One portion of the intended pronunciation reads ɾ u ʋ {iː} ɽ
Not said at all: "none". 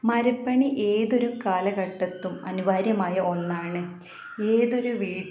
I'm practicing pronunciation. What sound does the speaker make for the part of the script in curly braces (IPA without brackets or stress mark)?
iː